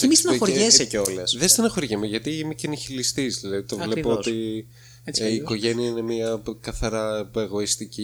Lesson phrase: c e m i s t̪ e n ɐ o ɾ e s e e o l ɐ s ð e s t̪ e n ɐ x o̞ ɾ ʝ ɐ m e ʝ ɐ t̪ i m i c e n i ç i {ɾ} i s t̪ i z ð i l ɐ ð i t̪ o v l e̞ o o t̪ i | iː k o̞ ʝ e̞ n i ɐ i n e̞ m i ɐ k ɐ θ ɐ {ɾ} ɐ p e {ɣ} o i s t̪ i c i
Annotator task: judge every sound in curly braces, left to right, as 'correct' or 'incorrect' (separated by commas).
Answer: incorrect, correct, correct